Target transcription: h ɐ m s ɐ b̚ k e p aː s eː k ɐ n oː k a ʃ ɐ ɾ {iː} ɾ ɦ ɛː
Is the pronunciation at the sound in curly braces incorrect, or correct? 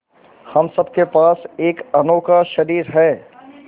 correct